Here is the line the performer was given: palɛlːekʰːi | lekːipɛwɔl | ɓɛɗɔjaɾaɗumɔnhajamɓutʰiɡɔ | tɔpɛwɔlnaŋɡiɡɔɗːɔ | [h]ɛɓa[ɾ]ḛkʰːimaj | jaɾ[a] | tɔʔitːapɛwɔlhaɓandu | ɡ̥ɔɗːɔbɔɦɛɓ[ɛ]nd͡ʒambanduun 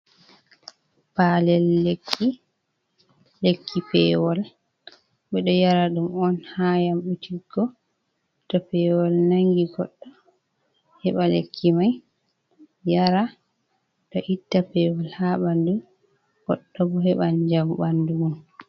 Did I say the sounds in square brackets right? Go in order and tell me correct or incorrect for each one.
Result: correct, incorrect, correct, incorrect

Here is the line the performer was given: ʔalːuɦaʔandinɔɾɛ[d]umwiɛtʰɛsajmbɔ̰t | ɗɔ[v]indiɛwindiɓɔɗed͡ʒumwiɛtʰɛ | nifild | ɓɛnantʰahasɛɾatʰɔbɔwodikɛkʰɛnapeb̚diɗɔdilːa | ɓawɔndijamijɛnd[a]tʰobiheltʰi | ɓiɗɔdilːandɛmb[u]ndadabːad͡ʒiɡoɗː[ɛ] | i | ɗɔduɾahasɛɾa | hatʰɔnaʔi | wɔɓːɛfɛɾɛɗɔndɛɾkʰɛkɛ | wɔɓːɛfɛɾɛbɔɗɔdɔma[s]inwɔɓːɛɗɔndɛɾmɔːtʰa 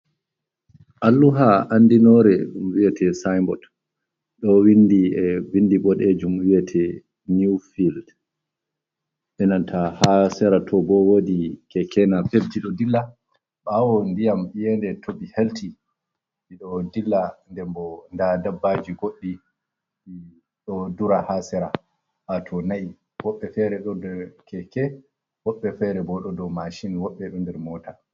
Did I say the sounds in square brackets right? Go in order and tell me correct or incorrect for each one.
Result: incorrect, incorrect, incorrect, incorrect, incorrect, incorrect

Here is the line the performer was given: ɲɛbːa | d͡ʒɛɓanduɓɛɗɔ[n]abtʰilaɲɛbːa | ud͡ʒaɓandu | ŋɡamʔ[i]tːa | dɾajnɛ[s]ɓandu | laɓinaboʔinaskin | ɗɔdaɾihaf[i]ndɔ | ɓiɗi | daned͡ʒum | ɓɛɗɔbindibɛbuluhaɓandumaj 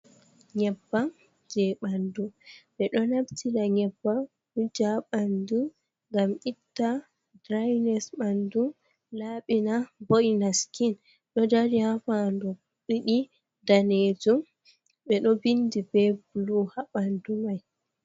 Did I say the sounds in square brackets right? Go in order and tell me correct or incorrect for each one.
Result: correct, correct, correct, incorrect

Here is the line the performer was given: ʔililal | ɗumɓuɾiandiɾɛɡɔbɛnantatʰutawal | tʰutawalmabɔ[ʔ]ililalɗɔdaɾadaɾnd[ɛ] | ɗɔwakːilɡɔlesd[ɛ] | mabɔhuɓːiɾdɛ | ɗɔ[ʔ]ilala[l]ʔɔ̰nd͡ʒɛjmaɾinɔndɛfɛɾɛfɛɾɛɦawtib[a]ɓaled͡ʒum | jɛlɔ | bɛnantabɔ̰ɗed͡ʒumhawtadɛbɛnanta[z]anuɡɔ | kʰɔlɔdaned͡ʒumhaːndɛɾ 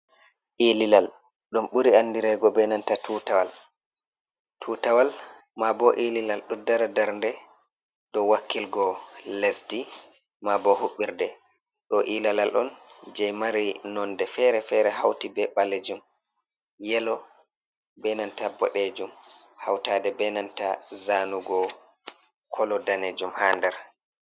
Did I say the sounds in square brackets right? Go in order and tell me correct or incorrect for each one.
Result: correct, correct, incorrect, correct, correct, incorrect, correct

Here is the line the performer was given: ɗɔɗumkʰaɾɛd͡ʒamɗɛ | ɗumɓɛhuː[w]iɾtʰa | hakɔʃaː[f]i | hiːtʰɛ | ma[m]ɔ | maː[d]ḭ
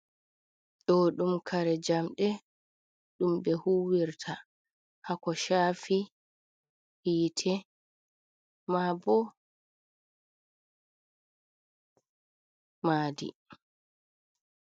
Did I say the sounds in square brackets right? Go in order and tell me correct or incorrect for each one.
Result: correct, correct, incorrect, correct

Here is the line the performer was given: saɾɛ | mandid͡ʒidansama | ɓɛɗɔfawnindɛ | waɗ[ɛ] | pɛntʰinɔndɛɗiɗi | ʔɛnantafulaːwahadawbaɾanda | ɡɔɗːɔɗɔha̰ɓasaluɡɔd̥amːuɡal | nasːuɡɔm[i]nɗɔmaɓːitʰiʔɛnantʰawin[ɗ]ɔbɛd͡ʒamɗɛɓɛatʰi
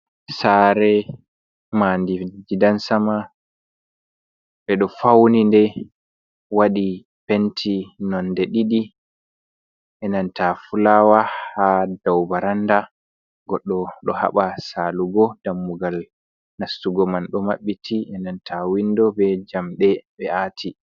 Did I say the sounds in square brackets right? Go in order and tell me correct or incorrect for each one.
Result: incorrect, incorrect, incorrect

